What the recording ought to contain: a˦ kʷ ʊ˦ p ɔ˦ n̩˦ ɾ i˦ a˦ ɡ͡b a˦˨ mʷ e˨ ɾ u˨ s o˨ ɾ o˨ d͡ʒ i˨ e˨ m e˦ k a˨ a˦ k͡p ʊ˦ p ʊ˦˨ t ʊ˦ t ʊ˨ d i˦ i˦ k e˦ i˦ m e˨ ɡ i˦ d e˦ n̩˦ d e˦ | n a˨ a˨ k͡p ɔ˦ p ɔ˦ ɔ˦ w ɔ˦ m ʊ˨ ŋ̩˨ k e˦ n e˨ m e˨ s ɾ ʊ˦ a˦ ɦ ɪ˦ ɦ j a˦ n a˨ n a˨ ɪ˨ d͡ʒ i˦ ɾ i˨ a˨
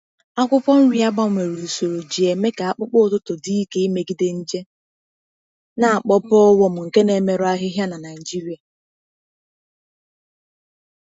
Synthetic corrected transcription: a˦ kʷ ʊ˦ p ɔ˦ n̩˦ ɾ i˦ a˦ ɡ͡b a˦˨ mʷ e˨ ɾ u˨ s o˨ ɾ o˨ d͡ʒ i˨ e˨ m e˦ k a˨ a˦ k͡p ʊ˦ k͡p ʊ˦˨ t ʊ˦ t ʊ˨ d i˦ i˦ k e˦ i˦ m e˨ ɡ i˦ d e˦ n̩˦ d͡ʒ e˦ | n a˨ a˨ k͡p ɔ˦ p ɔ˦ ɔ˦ w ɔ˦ m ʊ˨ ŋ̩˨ k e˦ n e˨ m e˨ ɾ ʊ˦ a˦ ɦ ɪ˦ ɦ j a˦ n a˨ n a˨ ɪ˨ d͡ʒ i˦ ɾ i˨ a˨